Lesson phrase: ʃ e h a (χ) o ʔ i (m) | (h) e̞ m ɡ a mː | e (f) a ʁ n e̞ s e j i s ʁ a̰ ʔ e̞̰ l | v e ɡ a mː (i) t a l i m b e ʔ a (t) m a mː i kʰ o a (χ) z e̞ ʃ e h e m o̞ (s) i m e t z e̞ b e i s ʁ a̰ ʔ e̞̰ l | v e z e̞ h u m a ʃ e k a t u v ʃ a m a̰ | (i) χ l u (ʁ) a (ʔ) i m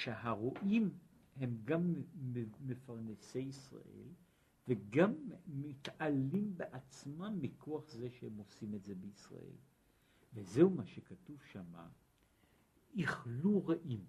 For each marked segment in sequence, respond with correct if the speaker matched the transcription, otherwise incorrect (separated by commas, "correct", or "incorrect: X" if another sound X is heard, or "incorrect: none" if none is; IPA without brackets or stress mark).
incorrect: ʁ, correct, correct, correct, correct, incorrect: t͡s, correct, correct, correct, correct, correct